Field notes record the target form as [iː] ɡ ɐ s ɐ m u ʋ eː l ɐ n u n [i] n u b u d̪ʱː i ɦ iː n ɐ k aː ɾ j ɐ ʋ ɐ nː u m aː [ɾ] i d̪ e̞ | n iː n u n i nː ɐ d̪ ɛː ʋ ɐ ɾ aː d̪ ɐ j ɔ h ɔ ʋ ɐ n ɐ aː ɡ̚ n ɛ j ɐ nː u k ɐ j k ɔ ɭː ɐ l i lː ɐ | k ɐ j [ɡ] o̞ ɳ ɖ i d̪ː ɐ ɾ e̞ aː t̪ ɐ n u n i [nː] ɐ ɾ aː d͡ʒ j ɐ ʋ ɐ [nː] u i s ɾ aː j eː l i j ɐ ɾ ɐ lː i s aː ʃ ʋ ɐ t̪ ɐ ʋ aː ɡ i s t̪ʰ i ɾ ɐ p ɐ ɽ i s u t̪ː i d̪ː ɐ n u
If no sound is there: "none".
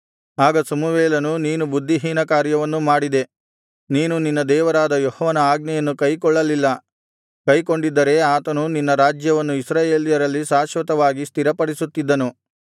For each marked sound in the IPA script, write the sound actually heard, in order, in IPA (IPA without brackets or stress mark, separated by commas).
aː, iː, ɽ, k, nː, nː